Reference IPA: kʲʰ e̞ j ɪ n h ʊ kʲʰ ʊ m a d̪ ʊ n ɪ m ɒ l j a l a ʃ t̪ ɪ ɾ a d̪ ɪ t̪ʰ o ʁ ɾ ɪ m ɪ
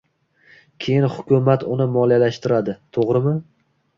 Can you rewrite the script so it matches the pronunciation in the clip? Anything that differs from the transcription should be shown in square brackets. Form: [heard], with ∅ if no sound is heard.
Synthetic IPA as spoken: kʲʰ e̞ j ɪ n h ʊ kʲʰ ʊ m a [t̪] ʊ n ɪ m ɒ l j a l a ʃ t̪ ɪ ɾ a d̪ ɪ t̪ʰ o ʁ ɾ ɪ m ɪ